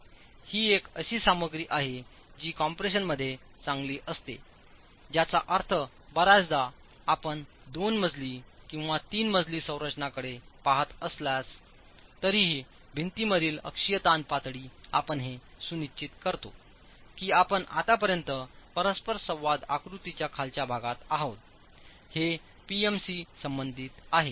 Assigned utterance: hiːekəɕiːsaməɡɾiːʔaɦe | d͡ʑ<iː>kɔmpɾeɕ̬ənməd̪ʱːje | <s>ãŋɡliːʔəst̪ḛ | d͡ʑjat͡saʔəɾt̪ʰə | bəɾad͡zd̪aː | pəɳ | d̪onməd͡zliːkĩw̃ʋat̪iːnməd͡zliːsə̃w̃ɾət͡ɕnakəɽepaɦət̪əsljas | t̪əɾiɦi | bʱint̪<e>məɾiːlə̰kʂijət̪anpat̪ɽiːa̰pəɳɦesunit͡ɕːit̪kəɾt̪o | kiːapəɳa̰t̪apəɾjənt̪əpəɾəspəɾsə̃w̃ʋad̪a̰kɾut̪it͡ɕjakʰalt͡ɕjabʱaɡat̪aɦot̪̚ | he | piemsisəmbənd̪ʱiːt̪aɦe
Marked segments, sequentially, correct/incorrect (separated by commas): correct, incorrect, incorrect